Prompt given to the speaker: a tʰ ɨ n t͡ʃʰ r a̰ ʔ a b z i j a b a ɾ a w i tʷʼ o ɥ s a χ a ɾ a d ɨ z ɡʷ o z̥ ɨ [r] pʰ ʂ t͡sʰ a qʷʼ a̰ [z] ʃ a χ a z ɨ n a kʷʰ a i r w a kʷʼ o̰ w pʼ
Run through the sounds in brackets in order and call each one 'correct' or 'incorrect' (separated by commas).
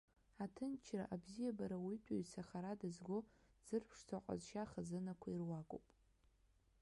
correct, correct